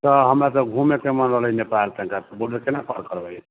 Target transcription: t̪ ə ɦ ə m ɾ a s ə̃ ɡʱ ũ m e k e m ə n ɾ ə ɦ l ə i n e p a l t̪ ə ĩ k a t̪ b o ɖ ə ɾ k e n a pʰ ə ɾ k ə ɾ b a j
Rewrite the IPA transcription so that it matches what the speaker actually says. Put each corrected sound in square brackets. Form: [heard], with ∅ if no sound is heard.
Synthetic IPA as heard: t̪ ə ɦ ə m ɾ a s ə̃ ɡʱ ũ m e k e m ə n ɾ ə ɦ l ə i n e p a l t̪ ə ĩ k a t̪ b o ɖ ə ɾ k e n a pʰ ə ɾ k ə ɾ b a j